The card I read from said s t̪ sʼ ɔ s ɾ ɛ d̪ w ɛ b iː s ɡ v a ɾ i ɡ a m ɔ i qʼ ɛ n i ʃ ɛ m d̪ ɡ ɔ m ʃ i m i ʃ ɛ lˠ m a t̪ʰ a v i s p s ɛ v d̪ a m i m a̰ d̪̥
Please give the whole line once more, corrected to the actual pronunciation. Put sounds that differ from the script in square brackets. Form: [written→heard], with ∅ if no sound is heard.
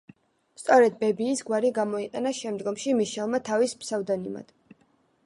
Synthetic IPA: s t̪ sʼ ɔ [s→∅] ɾ ɛ d̪ [w→b] ɛ b iː s ɡ [v→w] a ɾ i ɡ a m ɔ i qʼ ɛ n [i→a] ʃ ɛ m d̪ ɡ ɔ m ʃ i m i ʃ ɛ lˠ m a t̪ʰ a v i s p s [ɛ→a] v d̪ a [m→n] i m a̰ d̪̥